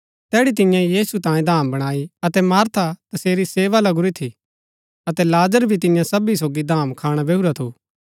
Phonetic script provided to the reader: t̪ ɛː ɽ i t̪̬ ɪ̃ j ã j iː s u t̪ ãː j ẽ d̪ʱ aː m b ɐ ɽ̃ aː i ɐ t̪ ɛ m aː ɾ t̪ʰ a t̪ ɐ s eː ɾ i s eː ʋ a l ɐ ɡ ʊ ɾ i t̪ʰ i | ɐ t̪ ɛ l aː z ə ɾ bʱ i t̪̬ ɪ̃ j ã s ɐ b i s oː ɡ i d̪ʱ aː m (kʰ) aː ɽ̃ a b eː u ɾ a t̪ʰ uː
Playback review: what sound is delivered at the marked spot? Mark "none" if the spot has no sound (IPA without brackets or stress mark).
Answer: kʰ